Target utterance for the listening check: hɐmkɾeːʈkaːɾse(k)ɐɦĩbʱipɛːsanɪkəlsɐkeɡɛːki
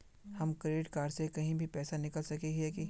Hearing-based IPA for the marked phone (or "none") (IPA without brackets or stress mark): k